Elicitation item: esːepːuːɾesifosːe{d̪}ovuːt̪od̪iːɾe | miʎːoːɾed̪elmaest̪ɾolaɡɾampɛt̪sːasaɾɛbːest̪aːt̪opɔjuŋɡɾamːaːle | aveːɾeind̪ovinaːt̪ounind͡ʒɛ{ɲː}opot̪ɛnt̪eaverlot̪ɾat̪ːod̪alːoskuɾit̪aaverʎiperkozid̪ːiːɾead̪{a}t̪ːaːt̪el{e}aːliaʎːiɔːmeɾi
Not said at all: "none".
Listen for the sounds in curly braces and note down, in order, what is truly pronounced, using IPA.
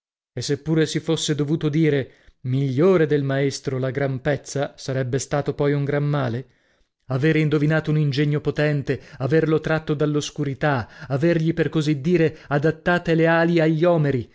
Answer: d̪, ɲː, a, e

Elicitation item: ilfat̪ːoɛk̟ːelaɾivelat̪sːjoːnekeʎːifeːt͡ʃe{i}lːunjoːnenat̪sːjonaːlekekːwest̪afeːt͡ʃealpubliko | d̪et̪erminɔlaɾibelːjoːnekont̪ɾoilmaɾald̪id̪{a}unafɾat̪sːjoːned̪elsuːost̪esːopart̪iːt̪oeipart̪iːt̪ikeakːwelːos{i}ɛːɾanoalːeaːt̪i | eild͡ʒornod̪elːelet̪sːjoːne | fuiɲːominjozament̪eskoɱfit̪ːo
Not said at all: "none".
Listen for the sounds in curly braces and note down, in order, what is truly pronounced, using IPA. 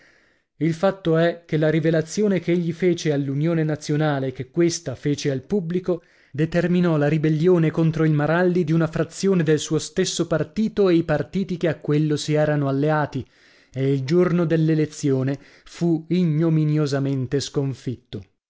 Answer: a, i, i

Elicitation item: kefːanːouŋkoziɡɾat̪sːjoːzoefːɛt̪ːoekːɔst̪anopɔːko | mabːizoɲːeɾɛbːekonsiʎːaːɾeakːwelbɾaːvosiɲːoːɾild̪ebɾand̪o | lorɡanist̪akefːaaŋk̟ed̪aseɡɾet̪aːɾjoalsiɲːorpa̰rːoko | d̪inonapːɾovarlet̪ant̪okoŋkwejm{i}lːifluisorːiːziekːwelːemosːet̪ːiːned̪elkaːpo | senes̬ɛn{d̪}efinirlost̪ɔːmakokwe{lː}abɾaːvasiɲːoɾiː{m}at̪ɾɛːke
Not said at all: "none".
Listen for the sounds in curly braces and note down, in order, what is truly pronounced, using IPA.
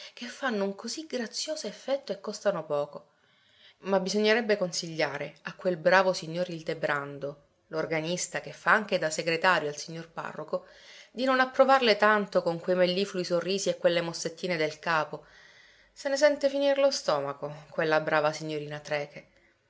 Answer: e, t̪, lː, n

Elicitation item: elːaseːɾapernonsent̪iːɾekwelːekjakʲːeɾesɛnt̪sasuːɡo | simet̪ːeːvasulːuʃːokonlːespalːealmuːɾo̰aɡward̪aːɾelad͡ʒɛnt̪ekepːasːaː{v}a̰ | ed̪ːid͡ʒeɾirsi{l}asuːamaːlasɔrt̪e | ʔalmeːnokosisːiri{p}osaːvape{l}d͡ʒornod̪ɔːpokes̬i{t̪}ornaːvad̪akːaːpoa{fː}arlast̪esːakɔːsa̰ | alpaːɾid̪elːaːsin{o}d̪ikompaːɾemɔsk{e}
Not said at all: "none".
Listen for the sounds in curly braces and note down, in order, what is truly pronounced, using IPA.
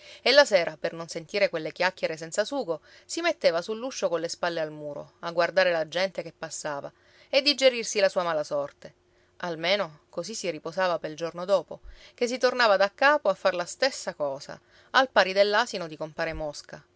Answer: v, l, p, l, t̪, fː, o, a

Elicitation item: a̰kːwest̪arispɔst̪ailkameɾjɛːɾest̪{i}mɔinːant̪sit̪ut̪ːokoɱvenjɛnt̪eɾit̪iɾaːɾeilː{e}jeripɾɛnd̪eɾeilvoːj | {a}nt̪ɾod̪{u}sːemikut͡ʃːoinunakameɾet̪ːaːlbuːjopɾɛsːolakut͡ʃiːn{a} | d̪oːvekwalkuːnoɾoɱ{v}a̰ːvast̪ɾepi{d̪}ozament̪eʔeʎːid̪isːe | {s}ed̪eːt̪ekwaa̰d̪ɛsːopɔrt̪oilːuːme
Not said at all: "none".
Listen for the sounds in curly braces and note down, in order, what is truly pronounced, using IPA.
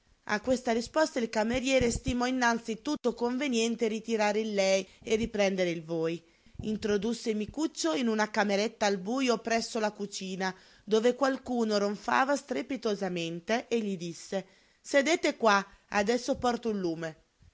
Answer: i, ɛ, i, u, a, f, t̪, s

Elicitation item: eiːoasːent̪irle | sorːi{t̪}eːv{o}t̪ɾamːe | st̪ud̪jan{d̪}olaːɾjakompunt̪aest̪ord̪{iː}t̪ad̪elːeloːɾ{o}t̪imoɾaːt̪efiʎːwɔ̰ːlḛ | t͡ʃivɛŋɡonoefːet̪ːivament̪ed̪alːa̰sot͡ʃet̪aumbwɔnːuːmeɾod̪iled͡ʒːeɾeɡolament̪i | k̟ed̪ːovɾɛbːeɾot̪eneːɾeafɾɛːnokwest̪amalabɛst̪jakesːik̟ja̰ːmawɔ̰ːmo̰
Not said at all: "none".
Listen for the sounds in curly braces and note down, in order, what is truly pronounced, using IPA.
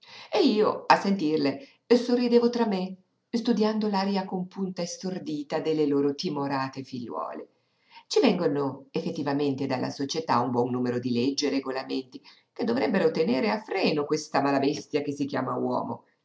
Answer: d̪, o, d̪, iː, o

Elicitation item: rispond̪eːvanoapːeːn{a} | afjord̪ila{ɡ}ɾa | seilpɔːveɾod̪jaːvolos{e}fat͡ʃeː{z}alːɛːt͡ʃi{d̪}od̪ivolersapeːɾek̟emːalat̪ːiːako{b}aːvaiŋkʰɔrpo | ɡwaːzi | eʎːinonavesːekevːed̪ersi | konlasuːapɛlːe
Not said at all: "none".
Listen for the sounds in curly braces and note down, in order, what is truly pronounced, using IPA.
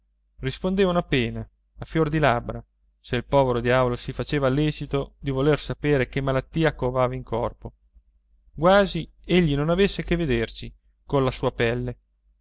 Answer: a, b, i, v, t̪, v

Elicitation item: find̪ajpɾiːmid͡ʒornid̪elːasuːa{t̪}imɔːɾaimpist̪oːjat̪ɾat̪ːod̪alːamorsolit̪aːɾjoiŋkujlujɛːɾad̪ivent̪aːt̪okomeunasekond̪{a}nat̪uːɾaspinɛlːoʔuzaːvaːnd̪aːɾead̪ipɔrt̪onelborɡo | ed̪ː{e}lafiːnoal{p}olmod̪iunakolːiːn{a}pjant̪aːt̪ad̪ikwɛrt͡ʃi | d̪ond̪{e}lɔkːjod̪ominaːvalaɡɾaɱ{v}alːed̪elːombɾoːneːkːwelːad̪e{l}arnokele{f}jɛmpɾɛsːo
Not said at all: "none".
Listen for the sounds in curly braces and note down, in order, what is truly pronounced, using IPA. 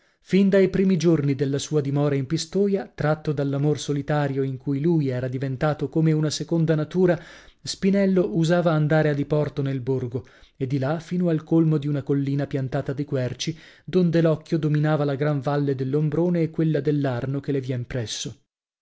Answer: d̪, a, i, k, a, e, v, lː, v

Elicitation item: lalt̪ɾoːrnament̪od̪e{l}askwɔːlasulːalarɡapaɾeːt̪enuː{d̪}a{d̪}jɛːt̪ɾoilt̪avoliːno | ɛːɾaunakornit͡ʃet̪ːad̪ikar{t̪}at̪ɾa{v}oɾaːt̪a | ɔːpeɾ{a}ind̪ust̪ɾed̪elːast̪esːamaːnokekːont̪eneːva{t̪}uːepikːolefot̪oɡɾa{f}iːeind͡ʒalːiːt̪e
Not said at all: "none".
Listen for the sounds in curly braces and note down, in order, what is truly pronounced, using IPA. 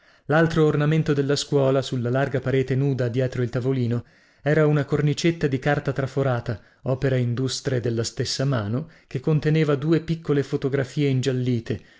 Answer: lː, d̪, d̪, t̪, f, a, d̪, f

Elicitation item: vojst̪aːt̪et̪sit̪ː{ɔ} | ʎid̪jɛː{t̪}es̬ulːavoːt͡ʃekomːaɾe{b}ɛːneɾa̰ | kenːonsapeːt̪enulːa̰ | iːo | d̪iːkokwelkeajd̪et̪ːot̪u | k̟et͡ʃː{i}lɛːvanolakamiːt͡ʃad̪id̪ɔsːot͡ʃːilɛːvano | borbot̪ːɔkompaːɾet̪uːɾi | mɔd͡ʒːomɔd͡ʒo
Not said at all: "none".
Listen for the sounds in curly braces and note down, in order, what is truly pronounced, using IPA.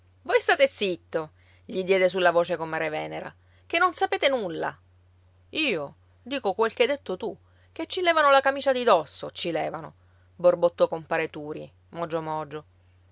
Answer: o, d̪, v, i

